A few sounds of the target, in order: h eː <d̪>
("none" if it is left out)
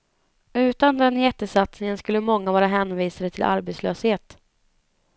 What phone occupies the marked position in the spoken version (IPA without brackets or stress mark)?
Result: t̪